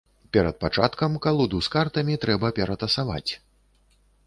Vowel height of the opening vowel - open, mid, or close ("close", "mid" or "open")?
mid